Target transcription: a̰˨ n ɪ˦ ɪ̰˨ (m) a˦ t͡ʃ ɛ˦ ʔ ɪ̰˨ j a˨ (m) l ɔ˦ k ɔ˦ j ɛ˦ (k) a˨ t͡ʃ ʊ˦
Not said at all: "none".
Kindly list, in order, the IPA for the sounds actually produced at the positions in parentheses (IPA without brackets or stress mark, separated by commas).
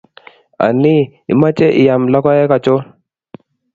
m, m, k